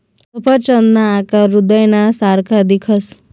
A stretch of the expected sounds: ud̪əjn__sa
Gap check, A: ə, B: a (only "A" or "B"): B